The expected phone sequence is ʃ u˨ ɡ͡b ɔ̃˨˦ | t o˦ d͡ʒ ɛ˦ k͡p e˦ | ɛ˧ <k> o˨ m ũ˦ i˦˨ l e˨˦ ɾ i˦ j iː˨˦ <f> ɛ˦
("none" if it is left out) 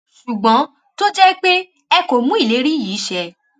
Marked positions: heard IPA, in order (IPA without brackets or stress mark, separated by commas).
k, ʃ